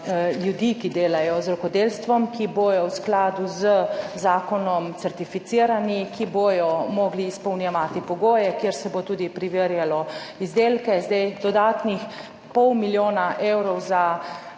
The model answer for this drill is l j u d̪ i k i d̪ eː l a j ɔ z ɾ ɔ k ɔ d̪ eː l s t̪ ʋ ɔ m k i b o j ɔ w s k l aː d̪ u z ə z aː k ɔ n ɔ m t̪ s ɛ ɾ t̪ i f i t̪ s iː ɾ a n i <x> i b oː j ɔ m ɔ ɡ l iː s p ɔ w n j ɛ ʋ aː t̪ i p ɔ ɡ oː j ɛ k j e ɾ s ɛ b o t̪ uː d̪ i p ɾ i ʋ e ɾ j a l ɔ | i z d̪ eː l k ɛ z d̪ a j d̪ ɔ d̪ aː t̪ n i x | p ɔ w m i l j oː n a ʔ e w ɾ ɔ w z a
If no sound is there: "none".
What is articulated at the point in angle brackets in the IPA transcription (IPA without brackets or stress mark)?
k